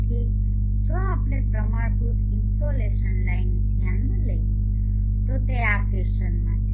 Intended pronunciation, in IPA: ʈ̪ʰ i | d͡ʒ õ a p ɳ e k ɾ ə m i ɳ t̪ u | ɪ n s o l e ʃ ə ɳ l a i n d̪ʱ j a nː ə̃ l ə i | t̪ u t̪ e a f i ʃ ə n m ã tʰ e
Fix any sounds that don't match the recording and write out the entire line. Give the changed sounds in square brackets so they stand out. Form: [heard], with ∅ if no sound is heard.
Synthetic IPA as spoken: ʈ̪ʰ i | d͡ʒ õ a p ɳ e [p] ɾ ə m [a] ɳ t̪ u | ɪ n s o l e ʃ ə [n] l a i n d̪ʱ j a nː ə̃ l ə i | t̪ [o] t̪ e a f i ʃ ə n m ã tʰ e